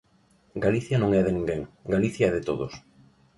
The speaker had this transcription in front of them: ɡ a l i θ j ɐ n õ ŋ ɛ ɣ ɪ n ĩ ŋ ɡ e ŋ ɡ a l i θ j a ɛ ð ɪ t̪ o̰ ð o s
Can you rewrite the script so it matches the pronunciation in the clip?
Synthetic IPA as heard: ɡ a l i θ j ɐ n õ ŋ ɛ ð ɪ n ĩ ŋ ɡ e ŋ ɡ a l i θ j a ɛ ð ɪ t̪ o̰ ð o s